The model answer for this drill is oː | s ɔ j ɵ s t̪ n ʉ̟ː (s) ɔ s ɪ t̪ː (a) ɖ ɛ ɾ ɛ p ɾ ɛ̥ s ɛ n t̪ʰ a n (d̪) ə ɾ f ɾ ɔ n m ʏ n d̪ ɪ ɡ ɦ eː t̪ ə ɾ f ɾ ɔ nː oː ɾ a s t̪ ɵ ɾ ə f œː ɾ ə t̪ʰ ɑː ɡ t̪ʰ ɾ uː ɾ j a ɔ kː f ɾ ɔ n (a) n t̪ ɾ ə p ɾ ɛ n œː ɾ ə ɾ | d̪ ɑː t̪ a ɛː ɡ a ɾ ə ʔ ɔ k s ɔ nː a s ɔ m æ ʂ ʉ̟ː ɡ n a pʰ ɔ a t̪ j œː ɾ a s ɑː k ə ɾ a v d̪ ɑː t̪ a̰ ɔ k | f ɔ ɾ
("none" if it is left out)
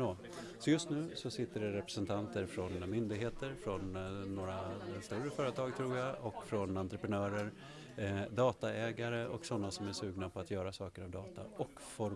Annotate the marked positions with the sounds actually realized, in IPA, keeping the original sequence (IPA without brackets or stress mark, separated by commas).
s, ə, t̪, a